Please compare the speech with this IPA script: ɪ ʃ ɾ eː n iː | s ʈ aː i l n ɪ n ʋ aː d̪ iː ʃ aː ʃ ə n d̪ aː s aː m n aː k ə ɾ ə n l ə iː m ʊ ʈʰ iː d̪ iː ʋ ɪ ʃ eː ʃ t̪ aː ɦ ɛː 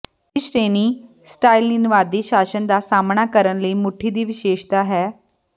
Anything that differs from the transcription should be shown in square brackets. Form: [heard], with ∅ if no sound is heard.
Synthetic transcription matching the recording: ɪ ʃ ɾ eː n iː | s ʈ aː i l n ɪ n ʋ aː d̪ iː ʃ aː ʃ ə n d̪ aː s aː m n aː k ə ɾ ə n l ə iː m ʊ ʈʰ iː d̪ iː ʋ ɪ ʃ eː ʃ t̪ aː ɦ ɛː